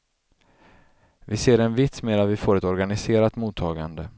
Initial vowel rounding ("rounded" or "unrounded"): unrounded